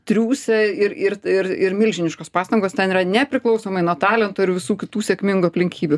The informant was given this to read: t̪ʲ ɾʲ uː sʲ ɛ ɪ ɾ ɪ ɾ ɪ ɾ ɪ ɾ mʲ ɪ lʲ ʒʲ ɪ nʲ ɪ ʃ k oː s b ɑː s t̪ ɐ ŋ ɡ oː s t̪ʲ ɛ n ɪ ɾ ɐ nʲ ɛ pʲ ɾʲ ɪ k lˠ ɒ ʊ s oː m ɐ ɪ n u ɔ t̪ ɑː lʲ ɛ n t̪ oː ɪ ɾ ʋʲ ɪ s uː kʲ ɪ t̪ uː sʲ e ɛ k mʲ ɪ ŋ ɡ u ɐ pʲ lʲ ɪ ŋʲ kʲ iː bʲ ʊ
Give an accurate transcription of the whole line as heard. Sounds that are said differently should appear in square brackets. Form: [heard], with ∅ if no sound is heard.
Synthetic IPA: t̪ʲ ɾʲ uː sʲ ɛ ɪ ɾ ɪ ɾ ɪ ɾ ɪ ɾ mʲ ɪ lʲ ʒʲ ɪ nʲ ɪ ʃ k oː s [p] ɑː s t̪ ɐ ŋ ɡ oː s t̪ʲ ɛ n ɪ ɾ ɐ nʲ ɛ pʲ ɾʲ ɪ k lˠ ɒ ʊ s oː m ɐ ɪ n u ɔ t̪ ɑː lʲ ɛ n t̪ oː ɪ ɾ ʋʲ ɪ s uː kʲ ɪ t̪ uː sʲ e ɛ k mʲ ɪ ŋ ɡ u ɐ pʲ lʲ ɪ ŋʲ kʲ iː bʲ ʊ